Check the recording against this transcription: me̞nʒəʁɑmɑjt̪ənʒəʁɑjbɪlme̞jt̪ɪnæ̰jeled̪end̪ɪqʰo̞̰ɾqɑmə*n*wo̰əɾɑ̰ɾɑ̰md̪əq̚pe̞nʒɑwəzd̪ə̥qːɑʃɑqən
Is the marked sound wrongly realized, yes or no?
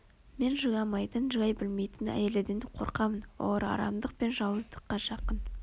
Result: no